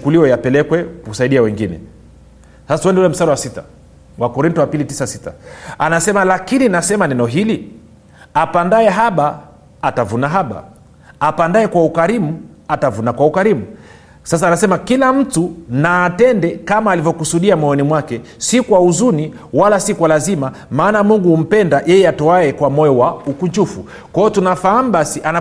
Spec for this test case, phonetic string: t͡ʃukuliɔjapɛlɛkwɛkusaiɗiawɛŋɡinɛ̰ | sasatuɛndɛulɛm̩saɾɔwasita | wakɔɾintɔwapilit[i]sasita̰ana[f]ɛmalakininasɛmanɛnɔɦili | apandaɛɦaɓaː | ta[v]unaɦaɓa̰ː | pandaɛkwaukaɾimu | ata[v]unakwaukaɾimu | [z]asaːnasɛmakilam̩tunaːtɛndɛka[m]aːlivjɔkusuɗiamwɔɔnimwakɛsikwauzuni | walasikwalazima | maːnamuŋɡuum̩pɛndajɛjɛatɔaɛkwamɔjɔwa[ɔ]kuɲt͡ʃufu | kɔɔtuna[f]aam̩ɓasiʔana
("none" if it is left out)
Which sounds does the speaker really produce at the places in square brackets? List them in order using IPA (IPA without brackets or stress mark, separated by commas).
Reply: i, s, v, v, s, m, u, f